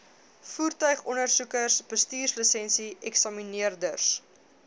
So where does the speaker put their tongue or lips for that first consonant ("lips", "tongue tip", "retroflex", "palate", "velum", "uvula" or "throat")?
lips